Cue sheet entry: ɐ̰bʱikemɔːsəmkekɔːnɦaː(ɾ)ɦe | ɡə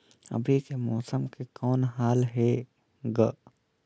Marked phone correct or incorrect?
incorrect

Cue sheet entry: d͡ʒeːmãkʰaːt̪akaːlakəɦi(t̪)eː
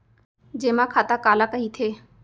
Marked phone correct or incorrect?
incorrect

